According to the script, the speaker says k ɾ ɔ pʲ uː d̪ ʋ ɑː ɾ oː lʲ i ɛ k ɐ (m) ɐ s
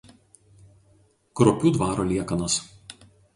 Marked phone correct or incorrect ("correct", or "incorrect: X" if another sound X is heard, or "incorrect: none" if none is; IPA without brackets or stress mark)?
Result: incorrect: n